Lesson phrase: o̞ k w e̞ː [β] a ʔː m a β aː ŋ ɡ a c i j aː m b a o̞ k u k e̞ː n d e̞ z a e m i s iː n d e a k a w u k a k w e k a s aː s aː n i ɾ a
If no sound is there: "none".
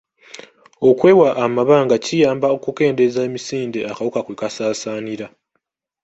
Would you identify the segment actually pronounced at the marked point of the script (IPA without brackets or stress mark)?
w